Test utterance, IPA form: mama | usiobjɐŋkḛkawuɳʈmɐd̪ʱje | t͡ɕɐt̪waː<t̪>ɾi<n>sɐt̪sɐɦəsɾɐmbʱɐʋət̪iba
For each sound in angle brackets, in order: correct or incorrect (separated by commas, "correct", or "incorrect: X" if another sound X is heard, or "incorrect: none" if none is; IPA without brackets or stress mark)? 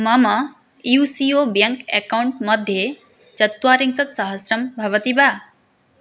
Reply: incorrect: none, incorrect: ŋ